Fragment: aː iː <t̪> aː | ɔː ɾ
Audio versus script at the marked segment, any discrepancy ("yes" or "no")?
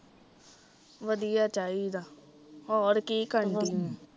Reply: yes